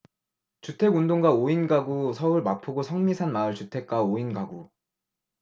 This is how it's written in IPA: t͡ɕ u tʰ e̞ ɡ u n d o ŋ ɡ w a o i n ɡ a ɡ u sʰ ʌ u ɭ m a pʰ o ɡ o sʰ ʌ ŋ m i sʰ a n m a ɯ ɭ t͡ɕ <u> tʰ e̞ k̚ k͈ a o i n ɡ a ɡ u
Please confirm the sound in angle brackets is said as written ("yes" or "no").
yes